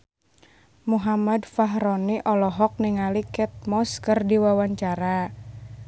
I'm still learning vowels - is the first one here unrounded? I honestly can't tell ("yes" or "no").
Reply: no